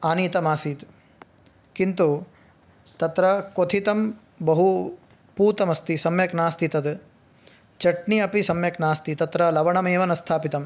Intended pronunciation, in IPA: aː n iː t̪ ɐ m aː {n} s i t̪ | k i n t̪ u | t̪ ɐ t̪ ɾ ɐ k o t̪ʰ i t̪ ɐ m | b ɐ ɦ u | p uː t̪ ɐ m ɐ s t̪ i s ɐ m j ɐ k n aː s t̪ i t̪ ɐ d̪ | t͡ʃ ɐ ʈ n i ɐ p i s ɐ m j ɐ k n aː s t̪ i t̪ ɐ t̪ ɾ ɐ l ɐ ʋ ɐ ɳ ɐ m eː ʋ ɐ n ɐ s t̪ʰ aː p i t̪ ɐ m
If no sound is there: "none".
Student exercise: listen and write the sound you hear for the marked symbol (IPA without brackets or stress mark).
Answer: none